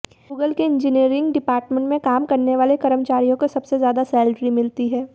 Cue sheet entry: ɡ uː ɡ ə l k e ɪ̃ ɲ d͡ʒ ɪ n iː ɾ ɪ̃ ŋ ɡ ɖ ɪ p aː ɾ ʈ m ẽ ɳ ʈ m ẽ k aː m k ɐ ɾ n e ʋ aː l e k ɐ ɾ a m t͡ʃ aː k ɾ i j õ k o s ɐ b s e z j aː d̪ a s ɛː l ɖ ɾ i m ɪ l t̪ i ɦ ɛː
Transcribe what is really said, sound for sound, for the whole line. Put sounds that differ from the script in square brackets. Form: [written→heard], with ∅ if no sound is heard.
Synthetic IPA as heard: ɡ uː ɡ ə l k e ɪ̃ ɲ d͡ʒ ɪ n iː ɾ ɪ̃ ŋ ɡ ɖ ɪ p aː ɾ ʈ m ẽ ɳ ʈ m ẽ k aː m k ɐ ɾ n e ʋ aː l e k ɐ ɾ [a→ə] m t͡ʃ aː [k→∅] ɾ i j õ k o s ɐ b s e z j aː d̪ a s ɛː l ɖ ɾ i m ɪ l t̪ i ɦ ɛː

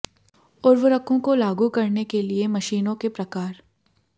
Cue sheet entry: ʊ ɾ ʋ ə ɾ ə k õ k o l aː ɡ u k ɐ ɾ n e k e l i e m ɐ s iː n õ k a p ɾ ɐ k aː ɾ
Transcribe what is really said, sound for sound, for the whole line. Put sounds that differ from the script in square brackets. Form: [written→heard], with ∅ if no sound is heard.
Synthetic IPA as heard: ʊ ɾ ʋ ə ɾ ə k õ k o l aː ɡ u k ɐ ɾ n e k e l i e m ɐ [s→ʃ] iː n õ k [a→e] p ɾ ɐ k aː ɾ

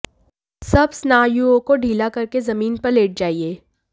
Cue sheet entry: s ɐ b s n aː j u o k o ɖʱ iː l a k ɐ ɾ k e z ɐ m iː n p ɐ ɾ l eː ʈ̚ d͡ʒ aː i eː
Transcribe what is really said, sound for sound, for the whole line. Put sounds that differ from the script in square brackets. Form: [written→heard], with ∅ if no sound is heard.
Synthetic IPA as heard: s ɐ b s n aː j u o k o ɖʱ iː l a k ɐ ɾ k e z ɐ m iː n p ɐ ɾ l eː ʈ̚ d͡ʒ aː i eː

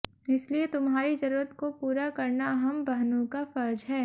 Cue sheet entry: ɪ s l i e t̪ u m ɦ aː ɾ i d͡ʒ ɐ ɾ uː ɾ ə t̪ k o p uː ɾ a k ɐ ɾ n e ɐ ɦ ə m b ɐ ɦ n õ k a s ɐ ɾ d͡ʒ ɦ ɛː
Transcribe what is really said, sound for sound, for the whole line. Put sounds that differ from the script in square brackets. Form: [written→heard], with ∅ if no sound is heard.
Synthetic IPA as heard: ɪ s l i e t̪ [u→ʊ] m ɦ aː ɾ i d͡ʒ ɐ ɾ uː ɾ ə t̪ k o p uː ɾ a k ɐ ɾ n [e→a] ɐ ɦ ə m b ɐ ɦ n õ k a [s→f] ɐ ɾ d͡ʒ ɦ ɛː

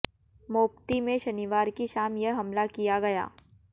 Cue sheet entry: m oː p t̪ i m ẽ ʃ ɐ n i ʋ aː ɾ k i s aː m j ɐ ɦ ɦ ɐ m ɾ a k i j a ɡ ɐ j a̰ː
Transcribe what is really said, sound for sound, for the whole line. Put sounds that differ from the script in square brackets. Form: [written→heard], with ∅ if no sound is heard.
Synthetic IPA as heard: m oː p t̪ i m ẽ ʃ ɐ n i ʋ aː ɾ k i [s→ʃ] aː m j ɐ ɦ ɦ ɐ m [ɾ→l] a k i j a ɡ ɐ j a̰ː

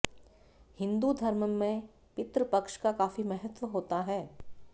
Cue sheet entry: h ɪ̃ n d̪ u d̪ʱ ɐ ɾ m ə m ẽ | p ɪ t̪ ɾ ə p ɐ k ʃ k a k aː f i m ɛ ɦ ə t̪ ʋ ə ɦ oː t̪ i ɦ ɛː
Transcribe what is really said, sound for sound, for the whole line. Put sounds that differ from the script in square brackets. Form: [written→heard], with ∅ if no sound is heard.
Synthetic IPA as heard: h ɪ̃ n d̪ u d̪ʱ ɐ ɾ m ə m ẽ | p ɪ t̪ ɾ ə p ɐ k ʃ k a k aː f i m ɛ ɦ ə t̪ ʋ ə ɦ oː t̪ [i→a] ɦ ɛː

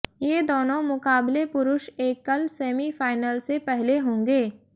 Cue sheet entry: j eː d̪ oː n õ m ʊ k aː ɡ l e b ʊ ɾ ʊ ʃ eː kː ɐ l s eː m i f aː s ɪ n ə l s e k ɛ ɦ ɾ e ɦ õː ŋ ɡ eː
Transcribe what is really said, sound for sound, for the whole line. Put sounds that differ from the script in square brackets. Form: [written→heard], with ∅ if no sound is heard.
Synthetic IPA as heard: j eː d̪ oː n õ m ʊ k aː [ɡ→b] l e [b→p] ʊ ɾ ʊ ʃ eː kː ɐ l s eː m i f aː [s→∅] ɪ n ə l s e [k→p] ɛ ɦ [ɾ→l] e ɦ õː ŋ ɡ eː

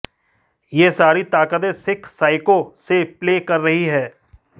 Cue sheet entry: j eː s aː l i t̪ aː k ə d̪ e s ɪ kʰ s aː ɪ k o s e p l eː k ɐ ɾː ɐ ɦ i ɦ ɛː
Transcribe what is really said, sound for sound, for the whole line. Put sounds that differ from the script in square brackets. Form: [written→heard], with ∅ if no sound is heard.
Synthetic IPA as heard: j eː s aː [l→ɾ] i t̪ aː k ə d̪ e s ɪ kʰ s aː ɪ k o s e p l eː k ɐ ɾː ɐ ɦ i ɦ ɛː

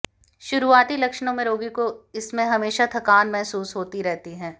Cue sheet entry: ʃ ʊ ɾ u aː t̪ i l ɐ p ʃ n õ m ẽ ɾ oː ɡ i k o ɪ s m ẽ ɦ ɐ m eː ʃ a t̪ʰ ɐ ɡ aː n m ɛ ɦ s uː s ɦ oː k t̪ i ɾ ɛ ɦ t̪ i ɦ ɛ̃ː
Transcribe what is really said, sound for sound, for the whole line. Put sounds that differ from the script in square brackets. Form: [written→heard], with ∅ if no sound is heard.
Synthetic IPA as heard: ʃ ʊ ɾ u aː t̪ i l ɐ [p→k] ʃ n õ m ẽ ɾ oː ɡ i k o ɪ s m ẽ ɦ ɐ m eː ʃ a t̪ʰ ɐ [ɡ→k] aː n m ɛ ɦ s uː s ɦ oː [k→∅] t̪ i ɾ ɛ ɦ t̪ i ɦ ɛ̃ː

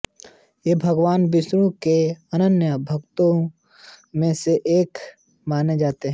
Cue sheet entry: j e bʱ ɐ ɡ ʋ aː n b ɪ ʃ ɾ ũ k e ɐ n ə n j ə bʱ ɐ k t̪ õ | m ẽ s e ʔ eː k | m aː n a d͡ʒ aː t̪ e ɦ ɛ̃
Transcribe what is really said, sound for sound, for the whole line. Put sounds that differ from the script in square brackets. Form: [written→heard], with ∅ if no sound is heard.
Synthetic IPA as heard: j e bʱ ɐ ɡ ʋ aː n b ɪ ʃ ɾ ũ k e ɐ n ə n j ə bʱ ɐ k t̪ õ | m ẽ s e ʔ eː k | m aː n [a→e] d͡ʒ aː t̪ e ɦ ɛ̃

